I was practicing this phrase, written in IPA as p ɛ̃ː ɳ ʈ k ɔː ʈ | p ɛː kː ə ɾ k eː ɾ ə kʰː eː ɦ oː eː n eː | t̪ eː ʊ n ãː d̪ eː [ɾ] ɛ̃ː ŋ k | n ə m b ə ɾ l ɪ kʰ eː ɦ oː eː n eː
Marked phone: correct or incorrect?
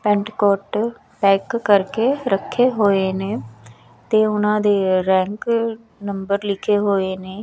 correct